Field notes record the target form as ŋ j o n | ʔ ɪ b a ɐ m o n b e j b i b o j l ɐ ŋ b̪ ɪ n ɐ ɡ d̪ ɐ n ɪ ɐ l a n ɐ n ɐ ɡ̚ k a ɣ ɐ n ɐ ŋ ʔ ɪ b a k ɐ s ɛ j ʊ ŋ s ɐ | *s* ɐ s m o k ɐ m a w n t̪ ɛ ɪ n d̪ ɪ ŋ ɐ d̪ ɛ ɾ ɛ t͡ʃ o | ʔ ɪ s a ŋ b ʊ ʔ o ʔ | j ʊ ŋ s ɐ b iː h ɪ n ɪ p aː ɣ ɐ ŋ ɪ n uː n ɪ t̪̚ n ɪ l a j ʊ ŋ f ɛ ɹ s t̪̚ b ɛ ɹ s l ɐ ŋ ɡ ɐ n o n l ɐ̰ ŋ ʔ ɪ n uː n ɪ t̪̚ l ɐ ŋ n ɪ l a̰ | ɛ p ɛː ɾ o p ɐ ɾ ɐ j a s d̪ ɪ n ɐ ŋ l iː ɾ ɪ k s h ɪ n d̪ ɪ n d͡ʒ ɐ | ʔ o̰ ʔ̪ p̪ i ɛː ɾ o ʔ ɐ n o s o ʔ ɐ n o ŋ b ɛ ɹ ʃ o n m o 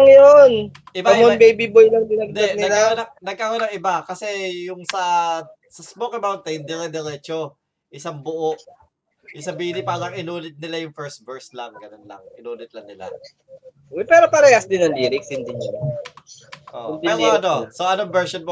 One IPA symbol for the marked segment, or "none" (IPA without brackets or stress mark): s